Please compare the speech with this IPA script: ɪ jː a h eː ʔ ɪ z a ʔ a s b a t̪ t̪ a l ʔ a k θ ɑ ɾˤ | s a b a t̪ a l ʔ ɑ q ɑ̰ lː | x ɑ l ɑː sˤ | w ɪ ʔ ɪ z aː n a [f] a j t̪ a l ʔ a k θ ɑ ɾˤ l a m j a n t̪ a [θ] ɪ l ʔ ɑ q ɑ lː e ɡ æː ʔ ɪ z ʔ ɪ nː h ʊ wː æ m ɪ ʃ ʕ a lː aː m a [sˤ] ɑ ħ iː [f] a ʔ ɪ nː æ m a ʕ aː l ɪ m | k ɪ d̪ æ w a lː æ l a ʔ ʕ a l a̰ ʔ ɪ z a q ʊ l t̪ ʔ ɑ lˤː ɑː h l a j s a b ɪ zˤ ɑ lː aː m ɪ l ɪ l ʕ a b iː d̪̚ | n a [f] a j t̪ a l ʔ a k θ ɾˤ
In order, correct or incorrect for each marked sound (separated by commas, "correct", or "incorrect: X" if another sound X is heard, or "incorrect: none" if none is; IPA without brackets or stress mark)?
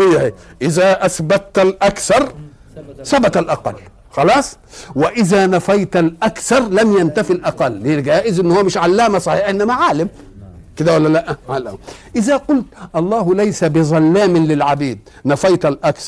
correct, incorrect: f, correct, incorrect: ħ, correct